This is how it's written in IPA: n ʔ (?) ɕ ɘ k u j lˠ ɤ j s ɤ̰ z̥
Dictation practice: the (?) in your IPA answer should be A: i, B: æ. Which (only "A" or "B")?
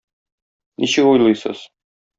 A